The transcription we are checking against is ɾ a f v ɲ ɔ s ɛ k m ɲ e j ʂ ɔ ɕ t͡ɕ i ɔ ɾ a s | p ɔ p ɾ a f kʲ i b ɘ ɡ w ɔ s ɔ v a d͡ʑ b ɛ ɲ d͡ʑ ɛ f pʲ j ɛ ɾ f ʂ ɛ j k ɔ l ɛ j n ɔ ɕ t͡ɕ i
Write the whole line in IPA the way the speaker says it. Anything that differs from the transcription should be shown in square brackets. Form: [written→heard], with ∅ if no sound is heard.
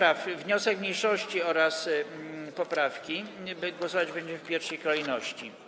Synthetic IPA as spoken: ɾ a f v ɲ ɔ s ɛ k m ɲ e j ʂ ɔ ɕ t͡ɕ i ɔ ɾ a s | p ɔ p ɾ a f kʲ i b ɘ ɡ w ɔ s ɔ v a d͡ʑ b ɛ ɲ d͡ʑ ɛ f pʲ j ɛ ɾ f ʂ ɛ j k ɔ l ɛ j n ɔ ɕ t͡ɕ i